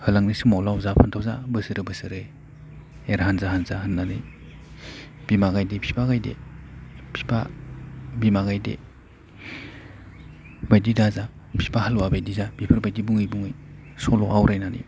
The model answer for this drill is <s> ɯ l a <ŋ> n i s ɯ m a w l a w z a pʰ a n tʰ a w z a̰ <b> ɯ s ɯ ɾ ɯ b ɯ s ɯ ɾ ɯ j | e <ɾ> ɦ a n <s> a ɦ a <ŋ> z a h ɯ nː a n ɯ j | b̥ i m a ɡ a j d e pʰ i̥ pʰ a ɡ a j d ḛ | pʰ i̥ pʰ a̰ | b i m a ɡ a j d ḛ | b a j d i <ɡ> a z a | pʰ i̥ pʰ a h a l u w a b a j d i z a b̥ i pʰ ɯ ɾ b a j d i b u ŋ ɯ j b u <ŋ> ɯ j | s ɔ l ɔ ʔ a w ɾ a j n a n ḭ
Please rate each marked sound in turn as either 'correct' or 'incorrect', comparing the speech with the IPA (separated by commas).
incorrect, correct, correct, correct, incorrect, incorrect, incorrect, correct